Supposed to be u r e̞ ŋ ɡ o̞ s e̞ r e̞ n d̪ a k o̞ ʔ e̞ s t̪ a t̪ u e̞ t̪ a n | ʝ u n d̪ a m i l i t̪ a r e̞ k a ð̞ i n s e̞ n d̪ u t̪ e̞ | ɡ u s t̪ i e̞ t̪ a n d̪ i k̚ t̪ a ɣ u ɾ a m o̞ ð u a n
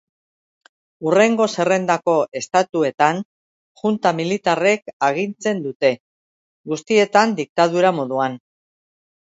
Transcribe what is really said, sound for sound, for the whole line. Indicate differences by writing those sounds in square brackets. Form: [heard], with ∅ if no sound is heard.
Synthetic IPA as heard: u r e̞ ŋ ɡ o̞ s e̞ r e̞ n d̪ a k o̞ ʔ e̞ s t̪ a t̪ u e̞ t̪ a n | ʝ u n [t̪] a m i l i t̪ a r e̞ k a [ɣ̞] i n [t͡s] e̞ n d̪ u t̪ e̞ | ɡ u s t̪ i e̞ t̪ a n d̪ i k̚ t̪ a [ð] u ɾ a m o̞ ð u a n